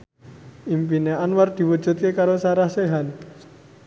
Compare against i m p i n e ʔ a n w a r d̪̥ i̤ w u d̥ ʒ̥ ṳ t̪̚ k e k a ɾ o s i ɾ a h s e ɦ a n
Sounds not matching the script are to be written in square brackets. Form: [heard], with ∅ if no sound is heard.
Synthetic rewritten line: i m p i n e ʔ a n w a r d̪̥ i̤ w u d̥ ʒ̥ ṳ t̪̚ k e k a ɾ o s [a] ɾ a h s e ɦ a n